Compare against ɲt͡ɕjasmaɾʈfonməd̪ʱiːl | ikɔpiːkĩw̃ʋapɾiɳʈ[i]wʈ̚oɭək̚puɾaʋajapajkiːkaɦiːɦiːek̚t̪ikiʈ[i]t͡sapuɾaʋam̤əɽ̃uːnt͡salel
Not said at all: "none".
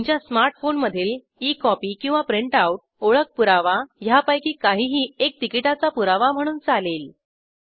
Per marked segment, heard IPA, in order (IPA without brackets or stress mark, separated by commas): a, a